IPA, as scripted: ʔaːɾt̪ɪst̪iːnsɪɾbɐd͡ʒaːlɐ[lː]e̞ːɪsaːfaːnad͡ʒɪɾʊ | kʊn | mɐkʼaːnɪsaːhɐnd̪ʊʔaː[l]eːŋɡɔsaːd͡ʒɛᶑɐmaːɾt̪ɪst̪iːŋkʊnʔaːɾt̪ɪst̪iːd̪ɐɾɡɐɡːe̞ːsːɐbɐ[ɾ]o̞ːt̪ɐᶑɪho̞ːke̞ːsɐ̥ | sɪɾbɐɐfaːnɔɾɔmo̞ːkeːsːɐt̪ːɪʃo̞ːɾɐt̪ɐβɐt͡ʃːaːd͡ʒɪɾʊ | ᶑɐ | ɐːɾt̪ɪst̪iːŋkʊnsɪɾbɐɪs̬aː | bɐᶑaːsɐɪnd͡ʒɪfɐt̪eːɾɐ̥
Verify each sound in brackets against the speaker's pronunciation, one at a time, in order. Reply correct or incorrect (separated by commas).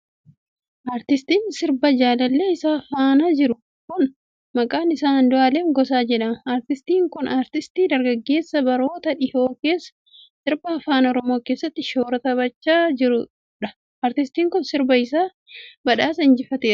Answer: correct, correct, correct